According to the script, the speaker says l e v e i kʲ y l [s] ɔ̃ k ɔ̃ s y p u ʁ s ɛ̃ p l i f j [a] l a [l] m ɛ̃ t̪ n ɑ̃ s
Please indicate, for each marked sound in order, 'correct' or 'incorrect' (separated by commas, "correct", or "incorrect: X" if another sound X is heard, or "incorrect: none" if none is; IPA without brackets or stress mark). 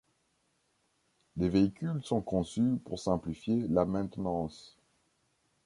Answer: correct, incorrect: e, incorrect: none